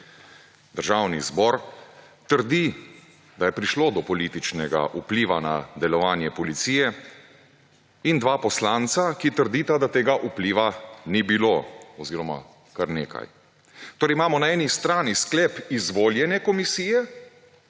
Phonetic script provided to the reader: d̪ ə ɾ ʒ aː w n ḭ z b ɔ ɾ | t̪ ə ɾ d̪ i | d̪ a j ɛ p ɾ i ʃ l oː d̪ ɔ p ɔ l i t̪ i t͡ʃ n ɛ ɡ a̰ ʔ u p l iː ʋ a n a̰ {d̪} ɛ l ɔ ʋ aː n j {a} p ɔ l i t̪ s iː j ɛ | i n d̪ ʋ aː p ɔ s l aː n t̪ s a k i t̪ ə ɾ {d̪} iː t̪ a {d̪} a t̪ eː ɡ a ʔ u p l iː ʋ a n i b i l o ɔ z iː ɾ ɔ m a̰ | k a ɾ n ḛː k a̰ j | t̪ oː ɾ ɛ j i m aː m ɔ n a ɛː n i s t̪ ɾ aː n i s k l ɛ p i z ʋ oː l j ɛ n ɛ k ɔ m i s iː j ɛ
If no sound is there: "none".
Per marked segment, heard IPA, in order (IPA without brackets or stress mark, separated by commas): d̪, ɛ, d̪, d̪